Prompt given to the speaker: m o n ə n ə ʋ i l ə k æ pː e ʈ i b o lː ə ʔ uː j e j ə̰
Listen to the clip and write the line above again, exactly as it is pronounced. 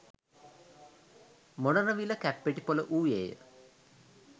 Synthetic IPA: m o n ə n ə ʋ i l ə k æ pː e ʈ i p o l ə ʔ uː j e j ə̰

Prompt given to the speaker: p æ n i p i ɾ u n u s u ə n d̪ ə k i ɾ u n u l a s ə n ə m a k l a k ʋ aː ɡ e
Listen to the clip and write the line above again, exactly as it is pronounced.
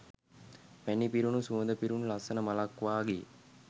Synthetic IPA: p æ n i p i ɾ u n u s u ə n d̪ ə p i ɾ u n u l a s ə n ə m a l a k ʋ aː ɡ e

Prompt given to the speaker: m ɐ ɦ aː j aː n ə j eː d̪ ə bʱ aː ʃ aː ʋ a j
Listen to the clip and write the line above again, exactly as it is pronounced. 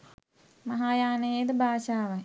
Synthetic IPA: m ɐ ɦ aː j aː n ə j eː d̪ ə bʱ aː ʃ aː ʋ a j

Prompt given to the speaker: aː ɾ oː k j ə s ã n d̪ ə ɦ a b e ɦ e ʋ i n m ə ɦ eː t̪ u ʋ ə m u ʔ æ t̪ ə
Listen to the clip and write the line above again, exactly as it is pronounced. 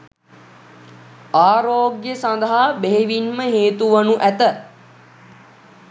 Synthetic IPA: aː ɾ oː ɡ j ə s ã n d̪ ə ɦ a b e ɦ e ʋ i n m ə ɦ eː t̪ u ʋ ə n u ʔ æ t̪ ə

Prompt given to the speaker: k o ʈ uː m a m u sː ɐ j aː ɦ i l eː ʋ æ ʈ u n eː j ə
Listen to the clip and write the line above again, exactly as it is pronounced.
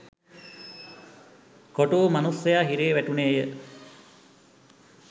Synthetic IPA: k o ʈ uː m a n u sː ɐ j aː ɦ i ɾ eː ʋ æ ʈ u n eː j ə

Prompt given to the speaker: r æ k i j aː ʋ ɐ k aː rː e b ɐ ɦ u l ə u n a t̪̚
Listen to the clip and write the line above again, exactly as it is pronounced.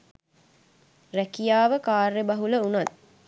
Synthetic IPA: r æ k i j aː ʋ ə k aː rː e b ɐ ɦ u l ə u n a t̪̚

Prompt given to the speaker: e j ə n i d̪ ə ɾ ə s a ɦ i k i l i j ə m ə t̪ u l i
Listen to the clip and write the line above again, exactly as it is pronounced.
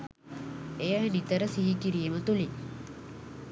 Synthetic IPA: e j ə n i t̪ ə ɾ ə s i ɦ i k i ɾ i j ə m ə t̪ u l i

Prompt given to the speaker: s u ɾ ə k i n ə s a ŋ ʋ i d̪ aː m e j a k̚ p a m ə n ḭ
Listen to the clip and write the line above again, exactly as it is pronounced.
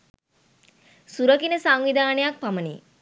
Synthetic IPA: s u ɾ ə k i n ə s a ŋ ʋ i d̪ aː n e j a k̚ p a m ə n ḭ

